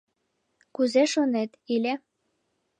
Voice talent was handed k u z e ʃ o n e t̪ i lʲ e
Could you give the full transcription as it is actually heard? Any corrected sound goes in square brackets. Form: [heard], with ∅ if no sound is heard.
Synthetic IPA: k u z e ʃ o n e t̪ i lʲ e